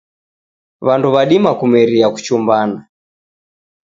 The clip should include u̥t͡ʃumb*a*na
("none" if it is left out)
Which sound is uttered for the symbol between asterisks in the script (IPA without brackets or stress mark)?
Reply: a